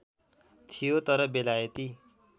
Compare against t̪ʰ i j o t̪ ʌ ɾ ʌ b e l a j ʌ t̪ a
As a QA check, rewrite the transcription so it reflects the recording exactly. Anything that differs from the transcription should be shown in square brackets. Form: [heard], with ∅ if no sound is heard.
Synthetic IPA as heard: t̪ʰ i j o t̪ ʌ ɾ ʌ b e l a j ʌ t̪ [i]

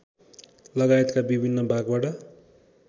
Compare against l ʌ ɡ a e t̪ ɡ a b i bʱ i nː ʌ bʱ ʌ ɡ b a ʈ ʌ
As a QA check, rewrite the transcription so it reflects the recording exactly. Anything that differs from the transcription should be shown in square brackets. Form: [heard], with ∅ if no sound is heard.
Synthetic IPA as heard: l ʌ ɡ a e t̪ [k] a b i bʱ i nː ʌ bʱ [a] ɡ b a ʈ ʌ

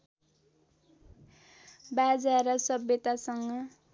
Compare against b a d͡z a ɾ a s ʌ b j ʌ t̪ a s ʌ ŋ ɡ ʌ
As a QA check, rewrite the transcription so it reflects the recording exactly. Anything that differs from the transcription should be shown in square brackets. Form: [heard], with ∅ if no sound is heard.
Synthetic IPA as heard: b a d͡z a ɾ [ʌ] s ʌ b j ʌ t̪ a s ʌ ŋ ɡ ʌ

